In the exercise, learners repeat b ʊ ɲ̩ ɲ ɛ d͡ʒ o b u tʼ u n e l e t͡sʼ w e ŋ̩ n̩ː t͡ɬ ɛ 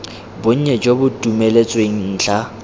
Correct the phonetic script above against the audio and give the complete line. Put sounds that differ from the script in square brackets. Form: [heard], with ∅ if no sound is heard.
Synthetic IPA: b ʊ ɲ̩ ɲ ɛ d͡ʒ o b [ʊ] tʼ u [m] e l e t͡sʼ w e ŋ̩ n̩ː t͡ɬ [a]